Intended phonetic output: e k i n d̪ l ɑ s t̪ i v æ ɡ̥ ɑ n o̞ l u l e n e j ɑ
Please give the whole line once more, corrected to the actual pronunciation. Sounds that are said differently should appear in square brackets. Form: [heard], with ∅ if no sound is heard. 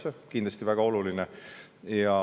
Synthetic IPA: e k i n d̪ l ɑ s t̪ i v æ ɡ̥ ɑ [∅] o̞ l u l [i] n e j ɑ